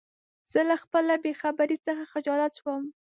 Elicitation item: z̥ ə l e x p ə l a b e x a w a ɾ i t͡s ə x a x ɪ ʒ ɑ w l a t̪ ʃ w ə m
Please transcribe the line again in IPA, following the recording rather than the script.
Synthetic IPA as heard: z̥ ə l a x p ə l a b e x a b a ɾ i t͡s ə x a x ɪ d͡ʒ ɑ l a t̪ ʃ w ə m